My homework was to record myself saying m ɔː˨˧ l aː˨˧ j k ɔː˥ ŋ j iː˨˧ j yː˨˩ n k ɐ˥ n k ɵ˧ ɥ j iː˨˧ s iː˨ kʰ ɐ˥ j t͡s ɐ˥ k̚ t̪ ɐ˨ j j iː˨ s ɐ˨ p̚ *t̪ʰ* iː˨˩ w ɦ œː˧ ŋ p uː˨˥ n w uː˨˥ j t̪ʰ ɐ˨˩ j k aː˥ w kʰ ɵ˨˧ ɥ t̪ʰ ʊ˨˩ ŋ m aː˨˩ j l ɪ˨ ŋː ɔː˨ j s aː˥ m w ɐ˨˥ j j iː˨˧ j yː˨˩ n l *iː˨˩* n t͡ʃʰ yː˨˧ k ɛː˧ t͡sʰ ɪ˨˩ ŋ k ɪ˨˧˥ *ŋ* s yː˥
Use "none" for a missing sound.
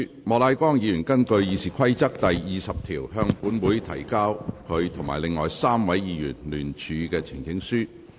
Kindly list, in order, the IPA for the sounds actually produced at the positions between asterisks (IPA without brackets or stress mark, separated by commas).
t̪ʰ, yː˨˩, ŋ